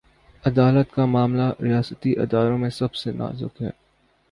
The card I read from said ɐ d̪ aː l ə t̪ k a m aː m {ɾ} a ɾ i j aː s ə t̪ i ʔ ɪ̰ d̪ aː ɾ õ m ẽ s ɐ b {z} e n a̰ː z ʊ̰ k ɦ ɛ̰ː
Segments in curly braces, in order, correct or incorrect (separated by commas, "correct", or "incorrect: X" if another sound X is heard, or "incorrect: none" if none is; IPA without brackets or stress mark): incorrect: l, incorrect: s